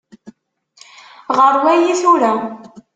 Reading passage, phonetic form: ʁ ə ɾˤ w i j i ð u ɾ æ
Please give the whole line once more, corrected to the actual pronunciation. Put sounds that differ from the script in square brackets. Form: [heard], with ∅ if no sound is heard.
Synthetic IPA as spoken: ʁ ə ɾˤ w [æ] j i [θ] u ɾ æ